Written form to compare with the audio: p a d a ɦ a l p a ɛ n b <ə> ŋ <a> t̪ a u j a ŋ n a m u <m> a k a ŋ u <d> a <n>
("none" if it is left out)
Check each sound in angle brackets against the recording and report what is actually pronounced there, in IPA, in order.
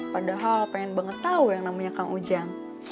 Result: ə, ə, ɲ, d͡ʒ, ŋ

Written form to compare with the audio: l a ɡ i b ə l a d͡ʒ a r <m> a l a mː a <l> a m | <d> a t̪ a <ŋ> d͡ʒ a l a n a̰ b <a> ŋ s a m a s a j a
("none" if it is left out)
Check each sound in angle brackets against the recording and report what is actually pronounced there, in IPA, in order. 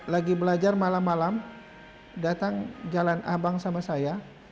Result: m, l, d, ŋ, a

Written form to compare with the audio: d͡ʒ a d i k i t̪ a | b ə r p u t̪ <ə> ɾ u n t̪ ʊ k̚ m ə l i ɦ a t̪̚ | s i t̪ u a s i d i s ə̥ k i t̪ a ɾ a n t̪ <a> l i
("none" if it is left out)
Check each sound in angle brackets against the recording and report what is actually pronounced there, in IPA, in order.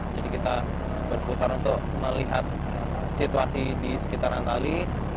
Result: a, a

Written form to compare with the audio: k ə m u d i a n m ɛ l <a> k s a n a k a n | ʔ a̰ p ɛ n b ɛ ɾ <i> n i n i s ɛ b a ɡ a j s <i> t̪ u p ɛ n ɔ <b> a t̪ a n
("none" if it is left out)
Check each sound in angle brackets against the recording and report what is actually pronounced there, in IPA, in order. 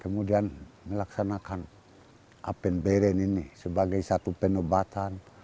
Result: a, ɛ, a, b

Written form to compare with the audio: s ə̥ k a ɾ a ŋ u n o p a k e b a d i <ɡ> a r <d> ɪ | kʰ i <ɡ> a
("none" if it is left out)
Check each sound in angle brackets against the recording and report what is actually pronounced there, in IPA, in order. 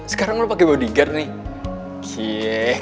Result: ɡ, n, none

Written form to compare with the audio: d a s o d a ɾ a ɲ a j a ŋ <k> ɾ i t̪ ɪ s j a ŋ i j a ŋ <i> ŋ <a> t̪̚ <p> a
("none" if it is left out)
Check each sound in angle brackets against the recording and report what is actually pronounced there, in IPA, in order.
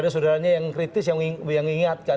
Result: k, i, a, k

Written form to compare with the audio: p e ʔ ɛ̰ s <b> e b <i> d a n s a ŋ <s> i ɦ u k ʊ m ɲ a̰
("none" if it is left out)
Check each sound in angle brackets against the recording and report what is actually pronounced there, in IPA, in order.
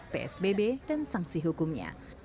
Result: b, e, s

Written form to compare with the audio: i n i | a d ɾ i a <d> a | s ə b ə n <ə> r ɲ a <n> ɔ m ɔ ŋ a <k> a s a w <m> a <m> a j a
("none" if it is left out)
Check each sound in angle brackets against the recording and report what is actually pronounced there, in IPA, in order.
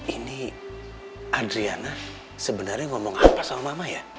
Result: n, a, ŋ, p, m, m

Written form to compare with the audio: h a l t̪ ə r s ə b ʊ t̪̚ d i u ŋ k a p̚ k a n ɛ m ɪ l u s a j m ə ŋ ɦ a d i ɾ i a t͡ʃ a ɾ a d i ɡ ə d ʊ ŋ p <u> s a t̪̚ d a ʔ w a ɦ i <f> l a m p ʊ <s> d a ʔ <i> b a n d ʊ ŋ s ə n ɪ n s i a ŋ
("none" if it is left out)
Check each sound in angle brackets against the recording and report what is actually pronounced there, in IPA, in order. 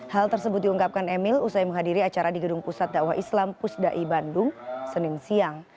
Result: u, s, s, i

